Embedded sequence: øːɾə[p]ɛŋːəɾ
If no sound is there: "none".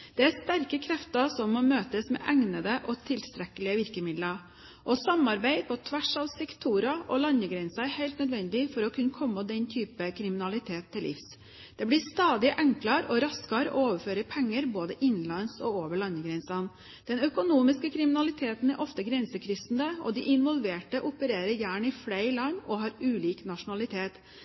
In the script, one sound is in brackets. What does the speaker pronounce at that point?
pʰ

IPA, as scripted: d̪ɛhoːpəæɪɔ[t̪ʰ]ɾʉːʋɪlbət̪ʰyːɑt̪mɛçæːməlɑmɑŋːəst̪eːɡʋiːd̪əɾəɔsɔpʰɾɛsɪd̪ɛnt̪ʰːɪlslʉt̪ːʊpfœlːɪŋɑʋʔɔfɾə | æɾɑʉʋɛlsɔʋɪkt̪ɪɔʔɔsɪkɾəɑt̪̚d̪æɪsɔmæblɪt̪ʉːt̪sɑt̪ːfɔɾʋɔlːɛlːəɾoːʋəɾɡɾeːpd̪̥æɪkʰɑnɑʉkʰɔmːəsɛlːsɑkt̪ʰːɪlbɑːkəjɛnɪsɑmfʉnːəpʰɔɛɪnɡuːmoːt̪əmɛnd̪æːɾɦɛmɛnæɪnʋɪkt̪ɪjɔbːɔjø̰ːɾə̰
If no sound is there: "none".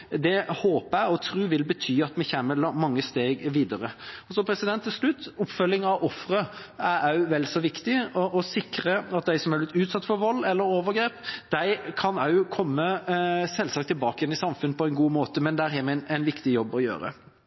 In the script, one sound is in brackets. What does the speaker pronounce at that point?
t̪ʰ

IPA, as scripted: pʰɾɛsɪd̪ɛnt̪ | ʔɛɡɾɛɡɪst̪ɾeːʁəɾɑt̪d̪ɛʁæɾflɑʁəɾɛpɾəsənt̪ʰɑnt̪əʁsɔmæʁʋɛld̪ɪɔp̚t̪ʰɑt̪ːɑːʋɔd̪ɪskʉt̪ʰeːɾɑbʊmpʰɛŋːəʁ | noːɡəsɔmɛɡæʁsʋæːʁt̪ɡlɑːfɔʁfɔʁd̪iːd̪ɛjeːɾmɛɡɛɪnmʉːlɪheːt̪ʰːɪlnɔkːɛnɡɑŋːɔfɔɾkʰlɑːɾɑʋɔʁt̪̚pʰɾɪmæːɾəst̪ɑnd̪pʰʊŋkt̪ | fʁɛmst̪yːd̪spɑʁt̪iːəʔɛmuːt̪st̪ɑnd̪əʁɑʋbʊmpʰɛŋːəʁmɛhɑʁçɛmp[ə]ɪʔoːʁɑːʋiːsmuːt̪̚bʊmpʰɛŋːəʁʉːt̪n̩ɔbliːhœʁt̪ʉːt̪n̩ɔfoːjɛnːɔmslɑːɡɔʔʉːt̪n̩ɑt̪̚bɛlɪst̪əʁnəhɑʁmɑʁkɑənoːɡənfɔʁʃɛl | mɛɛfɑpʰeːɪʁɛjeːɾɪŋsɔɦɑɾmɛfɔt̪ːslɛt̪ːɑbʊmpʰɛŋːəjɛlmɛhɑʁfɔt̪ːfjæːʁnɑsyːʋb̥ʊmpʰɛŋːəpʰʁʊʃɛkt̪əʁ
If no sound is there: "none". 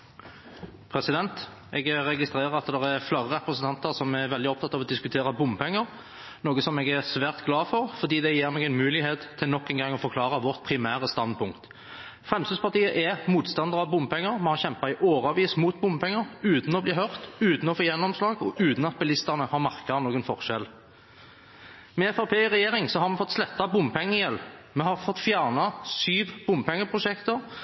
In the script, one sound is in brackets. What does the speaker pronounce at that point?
ɑ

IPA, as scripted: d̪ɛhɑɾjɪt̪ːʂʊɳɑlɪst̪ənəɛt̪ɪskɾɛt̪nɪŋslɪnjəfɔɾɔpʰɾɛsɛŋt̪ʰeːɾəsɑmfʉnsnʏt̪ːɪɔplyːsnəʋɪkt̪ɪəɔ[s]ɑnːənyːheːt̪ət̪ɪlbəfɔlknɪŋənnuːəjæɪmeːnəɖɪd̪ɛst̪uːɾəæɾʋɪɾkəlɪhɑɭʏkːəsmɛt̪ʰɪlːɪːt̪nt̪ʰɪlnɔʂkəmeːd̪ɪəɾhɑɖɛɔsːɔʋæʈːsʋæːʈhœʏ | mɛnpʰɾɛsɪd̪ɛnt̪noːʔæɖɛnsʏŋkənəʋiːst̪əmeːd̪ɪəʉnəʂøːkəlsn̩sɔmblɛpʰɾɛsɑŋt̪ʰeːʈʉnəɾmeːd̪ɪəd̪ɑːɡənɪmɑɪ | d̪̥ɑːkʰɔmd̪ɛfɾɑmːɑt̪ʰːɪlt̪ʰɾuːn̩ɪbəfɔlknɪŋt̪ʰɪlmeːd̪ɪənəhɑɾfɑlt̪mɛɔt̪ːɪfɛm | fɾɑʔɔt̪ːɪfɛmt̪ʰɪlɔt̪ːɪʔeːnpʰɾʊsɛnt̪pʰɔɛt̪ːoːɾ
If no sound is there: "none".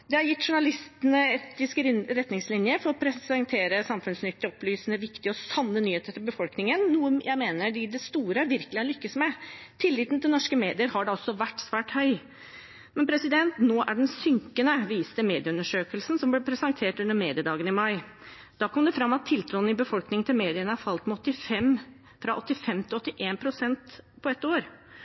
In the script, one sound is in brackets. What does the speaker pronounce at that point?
s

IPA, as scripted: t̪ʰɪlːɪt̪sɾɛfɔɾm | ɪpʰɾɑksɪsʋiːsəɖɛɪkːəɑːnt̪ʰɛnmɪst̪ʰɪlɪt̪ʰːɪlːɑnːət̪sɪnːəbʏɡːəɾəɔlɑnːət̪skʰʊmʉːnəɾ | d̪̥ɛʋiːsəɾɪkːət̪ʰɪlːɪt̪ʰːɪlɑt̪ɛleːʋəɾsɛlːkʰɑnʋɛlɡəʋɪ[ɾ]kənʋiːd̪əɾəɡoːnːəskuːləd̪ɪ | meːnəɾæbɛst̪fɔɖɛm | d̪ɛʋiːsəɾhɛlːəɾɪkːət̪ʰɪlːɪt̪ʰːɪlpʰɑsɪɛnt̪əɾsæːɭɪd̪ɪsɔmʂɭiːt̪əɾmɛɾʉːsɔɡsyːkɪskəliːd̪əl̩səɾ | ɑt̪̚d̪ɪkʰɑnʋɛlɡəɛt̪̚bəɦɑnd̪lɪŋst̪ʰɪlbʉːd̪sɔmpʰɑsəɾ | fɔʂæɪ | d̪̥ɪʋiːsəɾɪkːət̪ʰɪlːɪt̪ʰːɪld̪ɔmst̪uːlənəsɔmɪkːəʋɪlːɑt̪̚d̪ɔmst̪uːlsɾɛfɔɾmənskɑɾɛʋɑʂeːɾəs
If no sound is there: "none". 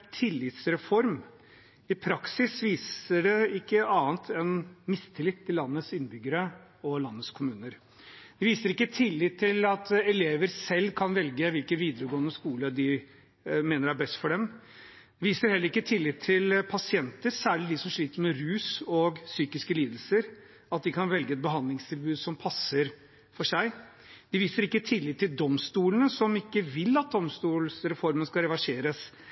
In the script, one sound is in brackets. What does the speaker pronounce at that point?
l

